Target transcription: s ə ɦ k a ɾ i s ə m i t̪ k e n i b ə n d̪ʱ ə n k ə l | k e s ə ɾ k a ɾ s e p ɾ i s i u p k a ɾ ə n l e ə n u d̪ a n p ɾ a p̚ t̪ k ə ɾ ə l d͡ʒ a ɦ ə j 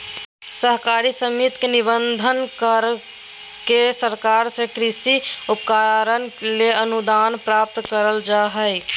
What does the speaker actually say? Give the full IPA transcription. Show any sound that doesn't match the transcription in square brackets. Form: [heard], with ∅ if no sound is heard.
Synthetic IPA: s ə ɦ k a ɾ i s ə m i t̪ k e n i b ə n d̪ʱ ə n k ə [ɾ] | k e s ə ɾ k a ɾ s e [k] ɾ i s i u p k a ɾ ə n l e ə n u d̪ a n p ɾ a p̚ t̪ k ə ɾ ə l d͡ʒ a ɦ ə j